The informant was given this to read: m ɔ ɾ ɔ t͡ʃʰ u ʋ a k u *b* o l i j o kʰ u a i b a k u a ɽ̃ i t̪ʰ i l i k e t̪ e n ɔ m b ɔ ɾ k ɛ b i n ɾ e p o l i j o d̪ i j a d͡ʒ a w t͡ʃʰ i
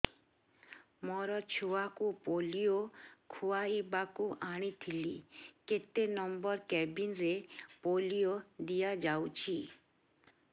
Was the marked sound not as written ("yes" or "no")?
yes